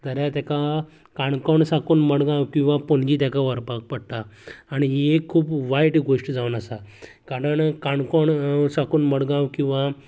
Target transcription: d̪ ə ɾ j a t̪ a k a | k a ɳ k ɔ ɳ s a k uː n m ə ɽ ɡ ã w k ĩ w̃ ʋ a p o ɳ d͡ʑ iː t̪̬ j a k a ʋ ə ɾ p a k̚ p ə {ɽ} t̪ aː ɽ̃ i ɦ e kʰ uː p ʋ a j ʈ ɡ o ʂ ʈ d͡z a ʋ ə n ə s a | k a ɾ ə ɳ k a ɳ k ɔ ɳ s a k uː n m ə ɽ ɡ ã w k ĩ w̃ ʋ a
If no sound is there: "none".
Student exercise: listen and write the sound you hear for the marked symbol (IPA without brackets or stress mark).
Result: ɽ